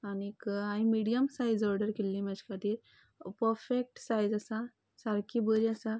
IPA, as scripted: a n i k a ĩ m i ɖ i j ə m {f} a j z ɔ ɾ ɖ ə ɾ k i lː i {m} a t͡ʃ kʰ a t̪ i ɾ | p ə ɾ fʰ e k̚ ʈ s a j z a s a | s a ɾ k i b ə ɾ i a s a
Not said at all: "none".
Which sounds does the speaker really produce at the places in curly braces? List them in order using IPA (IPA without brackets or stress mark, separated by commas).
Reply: s, m